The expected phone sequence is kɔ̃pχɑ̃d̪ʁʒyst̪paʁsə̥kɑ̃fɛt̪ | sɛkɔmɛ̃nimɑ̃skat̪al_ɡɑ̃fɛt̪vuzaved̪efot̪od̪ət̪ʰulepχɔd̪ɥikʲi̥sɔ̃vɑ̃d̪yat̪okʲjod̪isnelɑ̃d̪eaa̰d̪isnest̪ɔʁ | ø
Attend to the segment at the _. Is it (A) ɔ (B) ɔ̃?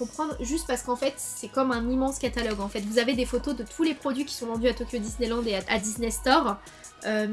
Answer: A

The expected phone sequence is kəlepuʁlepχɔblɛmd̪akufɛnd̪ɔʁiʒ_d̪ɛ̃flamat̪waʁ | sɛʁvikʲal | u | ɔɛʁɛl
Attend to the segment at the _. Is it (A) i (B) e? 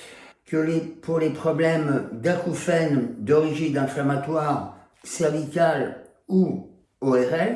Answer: A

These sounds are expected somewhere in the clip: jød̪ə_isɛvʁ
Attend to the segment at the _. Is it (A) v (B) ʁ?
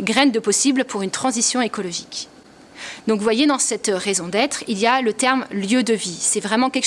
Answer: A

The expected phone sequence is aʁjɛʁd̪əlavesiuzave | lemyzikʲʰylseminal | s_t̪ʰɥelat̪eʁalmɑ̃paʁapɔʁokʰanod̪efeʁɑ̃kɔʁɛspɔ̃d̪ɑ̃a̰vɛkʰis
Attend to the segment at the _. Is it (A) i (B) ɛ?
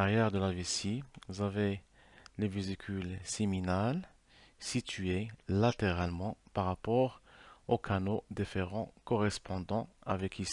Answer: A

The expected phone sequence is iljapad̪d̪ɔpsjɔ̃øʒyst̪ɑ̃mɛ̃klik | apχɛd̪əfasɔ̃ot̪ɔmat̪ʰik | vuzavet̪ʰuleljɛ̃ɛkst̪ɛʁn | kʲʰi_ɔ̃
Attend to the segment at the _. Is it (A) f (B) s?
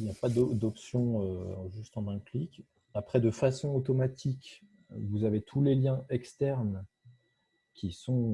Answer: B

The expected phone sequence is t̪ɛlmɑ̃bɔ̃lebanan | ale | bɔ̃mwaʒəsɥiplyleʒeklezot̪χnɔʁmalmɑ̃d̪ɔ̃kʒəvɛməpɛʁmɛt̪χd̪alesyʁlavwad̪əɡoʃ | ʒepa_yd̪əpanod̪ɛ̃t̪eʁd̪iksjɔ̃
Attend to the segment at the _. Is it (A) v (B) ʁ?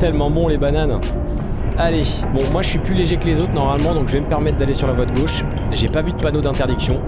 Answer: A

